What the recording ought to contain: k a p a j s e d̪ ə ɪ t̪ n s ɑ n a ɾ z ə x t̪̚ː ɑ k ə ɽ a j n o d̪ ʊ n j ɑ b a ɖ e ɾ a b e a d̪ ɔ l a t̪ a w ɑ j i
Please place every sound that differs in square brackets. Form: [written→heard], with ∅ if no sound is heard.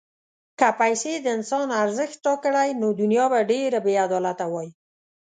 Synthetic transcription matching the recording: k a p a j s e d̪ ə ɪ [t̪→∅] n s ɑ n a ɾ z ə x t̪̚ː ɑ k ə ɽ a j n o d̪ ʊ n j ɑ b a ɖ e ɾ a b e a d̪ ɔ l a t̪ a w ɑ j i